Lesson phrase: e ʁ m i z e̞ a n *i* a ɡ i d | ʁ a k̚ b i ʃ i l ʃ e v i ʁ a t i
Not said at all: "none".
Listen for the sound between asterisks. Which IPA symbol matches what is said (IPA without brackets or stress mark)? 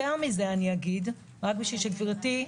i